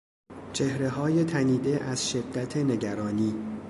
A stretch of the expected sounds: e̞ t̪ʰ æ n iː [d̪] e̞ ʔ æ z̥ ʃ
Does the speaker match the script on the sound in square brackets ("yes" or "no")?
yes